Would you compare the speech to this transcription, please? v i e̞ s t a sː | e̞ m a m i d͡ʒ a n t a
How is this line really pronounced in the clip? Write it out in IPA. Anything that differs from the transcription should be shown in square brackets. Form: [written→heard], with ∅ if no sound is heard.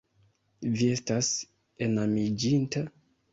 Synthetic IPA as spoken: v i e̞ s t a [sː→s] | e̞ [m→n] a m i d͡ʒ [a→i] n t a